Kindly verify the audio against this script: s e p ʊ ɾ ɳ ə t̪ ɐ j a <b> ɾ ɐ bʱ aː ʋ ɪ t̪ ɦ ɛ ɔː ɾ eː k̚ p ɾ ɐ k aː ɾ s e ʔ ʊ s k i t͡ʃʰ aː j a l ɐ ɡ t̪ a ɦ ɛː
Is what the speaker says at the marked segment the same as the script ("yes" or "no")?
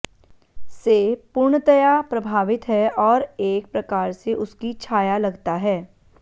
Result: no